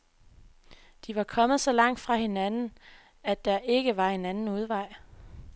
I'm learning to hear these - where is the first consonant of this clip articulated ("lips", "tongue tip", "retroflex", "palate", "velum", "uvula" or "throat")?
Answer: tongue tip